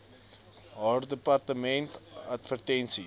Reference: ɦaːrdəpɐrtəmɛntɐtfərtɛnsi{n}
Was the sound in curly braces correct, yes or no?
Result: no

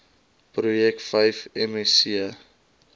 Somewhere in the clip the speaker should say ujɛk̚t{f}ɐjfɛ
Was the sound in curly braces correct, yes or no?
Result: yes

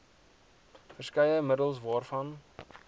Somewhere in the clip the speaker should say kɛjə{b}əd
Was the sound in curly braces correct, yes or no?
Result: no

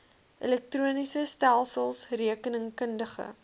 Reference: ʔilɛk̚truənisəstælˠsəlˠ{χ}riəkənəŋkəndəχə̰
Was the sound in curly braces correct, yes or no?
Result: no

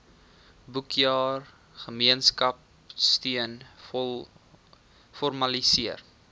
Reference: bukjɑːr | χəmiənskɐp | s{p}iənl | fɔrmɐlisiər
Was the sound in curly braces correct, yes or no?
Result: no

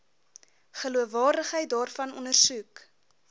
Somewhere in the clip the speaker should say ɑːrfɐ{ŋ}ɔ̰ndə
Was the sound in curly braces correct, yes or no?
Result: no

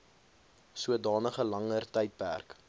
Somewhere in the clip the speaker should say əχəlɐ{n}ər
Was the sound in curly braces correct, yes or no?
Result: no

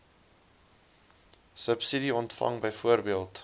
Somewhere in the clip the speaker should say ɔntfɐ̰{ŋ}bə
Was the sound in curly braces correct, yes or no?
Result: yes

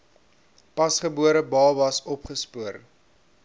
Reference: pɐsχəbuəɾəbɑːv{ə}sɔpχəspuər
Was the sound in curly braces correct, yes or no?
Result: no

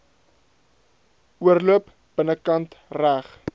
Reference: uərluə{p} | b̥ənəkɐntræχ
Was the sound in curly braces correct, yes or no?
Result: yes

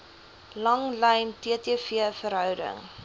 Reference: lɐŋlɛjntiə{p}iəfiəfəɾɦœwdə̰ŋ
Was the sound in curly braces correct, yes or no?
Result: no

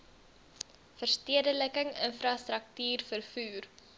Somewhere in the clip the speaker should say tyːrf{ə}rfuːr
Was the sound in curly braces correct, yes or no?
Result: yes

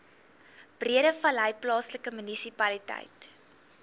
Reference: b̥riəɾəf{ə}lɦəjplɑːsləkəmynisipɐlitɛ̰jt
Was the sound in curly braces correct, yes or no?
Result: no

